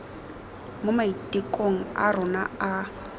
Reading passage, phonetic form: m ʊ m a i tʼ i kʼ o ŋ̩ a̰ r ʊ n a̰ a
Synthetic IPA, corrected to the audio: m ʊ m a i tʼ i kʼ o ŋ̩ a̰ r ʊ n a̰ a